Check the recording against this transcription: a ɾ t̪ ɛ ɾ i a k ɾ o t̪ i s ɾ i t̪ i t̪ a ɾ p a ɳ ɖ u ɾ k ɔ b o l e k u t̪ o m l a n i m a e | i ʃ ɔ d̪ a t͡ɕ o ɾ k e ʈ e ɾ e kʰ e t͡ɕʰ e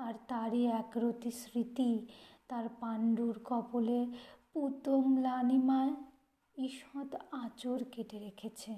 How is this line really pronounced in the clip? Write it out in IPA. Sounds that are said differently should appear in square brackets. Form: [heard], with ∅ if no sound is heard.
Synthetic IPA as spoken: a ɾ t̪ [a] ɾ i [ɛ] k ɾ o t̪ i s ɾ i t̪ i t̪ a ɾ p a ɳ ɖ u ɾ k ɔ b o l e [p] u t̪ o m l a n i m a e | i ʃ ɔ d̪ a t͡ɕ o ɾ k e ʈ e ɾ e kʰ e t͡ɕʰ e